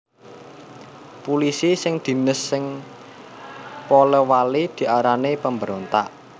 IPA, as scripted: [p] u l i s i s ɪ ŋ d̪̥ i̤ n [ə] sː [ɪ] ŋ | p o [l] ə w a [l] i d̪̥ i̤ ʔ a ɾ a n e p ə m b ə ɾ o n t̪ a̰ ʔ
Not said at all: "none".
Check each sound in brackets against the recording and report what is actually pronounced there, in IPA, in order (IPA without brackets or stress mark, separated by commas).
p, ə, ɪ, l, l